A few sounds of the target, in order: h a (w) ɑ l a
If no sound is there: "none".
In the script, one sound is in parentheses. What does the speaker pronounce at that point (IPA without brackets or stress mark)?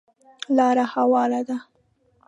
w